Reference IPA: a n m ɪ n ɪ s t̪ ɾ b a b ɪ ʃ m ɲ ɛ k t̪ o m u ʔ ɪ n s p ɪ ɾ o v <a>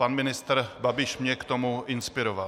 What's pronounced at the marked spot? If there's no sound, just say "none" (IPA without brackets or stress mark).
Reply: a